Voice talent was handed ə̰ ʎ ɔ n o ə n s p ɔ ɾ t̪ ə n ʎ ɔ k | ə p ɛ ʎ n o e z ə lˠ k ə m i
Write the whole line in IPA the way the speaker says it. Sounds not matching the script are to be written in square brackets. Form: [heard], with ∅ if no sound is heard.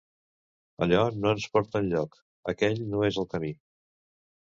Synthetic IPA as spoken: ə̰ ʎ ɔ n o ə n s p ɔ ɾ t̪ ə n ʎ ɔ k | ə [k] ɛ ʎ n o e z ə lˠ k ə m i